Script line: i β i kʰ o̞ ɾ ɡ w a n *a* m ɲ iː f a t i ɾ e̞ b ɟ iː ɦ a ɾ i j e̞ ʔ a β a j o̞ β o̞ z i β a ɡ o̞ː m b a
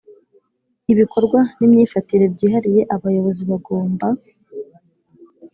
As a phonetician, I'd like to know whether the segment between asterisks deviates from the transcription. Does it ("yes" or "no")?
yes